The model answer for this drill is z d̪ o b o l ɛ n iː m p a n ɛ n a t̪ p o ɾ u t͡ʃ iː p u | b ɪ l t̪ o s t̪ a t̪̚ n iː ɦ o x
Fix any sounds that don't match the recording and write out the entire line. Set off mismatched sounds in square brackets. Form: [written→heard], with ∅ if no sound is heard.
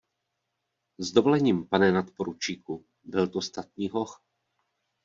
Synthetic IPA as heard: z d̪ o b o l ɛ [n→ɲ] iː m p a n ɛ n a t̪ p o ɾ u t͡ʃ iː [p→k] u | b ɪ l t̪ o s t̪ a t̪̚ [n→ɲ] iː ɦ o x